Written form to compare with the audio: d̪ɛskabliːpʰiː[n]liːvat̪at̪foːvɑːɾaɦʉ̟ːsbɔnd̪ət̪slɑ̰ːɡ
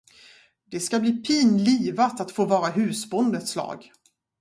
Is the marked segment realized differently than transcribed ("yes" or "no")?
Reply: no